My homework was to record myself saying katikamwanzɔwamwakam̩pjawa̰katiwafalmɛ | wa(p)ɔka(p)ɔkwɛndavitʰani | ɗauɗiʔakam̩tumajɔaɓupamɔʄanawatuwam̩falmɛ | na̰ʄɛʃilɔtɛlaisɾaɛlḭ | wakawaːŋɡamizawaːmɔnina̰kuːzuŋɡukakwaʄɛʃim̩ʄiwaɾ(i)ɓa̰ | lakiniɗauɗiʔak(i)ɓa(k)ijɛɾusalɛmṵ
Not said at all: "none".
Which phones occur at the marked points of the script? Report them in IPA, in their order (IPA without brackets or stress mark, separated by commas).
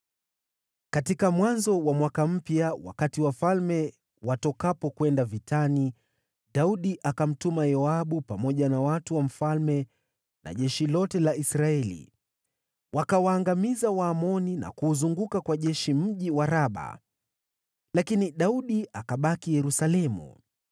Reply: t, p, a, a, k